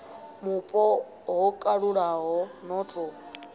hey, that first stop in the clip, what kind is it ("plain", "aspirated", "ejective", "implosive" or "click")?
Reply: ejective